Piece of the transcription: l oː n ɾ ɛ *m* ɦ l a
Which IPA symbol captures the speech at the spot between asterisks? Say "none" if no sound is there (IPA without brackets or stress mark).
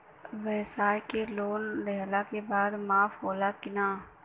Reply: none